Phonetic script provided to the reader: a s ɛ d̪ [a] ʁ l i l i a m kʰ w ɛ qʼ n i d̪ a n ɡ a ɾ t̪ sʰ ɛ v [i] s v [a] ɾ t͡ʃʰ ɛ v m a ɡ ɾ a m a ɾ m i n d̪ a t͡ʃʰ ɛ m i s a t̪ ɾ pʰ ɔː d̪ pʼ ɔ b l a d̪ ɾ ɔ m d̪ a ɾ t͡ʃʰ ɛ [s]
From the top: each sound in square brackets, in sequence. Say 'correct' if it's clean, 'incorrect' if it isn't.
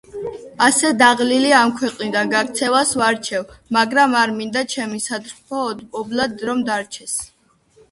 correct, incorrect: a, correct, correct

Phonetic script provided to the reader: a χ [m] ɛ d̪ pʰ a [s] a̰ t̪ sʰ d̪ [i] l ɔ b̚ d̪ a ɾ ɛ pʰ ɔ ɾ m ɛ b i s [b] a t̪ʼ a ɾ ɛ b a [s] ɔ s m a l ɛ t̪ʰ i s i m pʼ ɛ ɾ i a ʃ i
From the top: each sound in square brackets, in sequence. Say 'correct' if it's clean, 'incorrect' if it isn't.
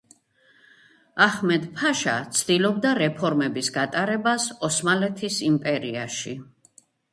correct, incorrect: ʃ, correct, incorrect: ɡ, correct

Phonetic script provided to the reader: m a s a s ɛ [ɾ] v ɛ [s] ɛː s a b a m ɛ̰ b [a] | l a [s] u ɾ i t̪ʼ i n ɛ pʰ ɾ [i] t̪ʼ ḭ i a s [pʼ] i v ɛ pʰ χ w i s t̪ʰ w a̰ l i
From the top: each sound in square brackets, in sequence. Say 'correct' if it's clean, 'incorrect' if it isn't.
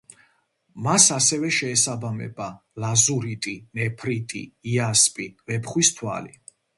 incorrect: none, incorrect: ʃ, correct, incorrect: z, correct, correct

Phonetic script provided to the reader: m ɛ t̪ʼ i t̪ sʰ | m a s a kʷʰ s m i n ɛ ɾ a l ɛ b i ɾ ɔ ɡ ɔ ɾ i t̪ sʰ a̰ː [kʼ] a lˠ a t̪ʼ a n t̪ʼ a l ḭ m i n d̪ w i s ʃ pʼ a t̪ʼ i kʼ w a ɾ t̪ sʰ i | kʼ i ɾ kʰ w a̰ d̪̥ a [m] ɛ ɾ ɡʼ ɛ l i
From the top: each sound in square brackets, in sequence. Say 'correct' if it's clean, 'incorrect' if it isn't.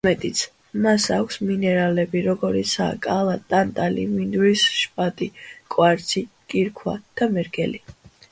correct, correct

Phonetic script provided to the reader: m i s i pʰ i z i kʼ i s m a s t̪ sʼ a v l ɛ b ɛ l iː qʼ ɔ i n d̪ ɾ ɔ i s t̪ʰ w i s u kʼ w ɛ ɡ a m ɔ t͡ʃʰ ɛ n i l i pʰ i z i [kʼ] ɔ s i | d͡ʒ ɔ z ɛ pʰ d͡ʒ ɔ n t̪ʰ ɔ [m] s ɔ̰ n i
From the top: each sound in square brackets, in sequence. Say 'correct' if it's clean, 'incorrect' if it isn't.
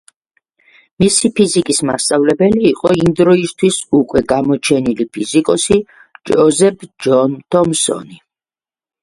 correct, correct

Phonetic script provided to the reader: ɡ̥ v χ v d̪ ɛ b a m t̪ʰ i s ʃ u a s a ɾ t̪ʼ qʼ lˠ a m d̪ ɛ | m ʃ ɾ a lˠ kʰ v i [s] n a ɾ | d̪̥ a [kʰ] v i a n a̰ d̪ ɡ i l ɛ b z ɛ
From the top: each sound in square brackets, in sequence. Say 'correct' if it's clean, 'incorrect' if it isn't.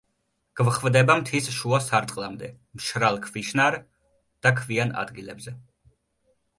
incorrect: ʃ, correct

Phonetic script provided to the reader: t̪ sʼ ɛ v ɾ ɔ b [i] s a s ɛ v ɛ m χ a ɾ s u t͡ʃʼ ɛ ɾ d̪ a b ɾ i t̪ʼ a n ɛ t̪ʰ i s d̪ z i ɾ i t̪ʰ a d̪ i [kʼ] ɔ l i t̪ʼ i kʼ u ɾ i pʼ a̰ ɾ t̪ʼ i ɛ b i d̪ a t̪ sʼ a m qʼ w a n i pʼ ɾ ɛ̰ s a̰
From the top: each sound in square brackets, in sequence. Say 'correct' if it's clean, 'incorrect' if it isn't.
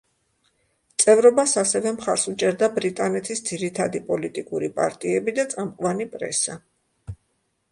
incorrect: a, incorrect: pʼ

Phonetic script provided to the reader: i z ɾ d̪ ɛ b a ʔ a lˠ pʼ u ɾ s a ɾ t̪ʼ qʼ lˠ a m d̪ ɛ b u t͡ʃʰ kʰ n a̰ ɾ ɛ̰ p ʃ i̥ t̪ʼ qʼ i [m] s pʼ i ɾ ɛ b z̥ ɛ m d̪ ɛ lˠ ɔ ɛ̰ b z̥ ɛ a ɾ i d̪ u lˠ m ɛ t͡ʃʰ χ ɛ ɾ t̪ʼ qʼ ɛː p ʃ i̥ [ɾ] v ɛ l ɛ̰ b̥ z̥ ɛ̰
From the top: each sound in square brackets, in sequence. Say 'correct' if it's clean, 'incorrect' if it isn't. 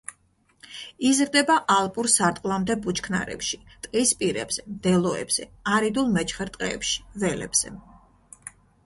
incorrect: none, incorrect: none

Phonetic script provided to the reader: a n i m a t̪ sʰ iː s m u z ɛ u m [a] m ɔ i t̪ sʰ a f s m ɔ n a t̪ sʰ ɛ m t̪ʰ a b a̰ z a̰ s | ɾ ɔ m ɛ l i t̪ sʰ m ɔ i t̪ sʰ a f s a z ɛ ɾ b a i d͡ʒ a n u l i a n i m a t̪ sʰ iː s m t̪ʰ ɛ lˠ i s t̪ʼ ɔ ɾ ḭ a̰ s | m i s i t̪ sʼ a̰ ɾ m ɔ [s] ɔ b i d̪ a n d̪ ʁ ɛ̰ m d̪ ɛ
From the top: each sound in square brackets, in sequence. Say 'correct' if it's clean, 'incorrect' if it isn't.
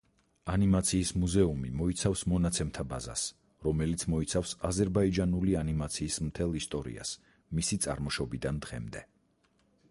incorrect: i, incorrect: ʃ

